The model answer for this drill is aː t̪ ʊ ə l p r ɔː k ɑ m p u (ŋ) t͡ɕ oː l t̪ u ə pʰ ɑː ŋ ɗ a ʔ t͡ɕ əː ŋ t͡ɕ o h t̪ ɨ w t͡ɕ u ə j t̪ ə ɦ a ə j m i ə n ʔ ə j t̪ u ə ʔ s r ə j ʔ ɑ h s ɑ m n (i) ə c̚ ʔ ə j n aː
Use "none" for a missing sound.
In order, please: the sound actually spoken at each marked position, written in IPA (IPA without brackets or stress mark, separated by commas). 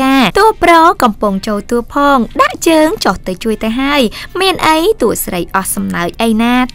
ŋ, a